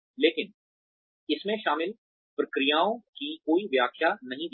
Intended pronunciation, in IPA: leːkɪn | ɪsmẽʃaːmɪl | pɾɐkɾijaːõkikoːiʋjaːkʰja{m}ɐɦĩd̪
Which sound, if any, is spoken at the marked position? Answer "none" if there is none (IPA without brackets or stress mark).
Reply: n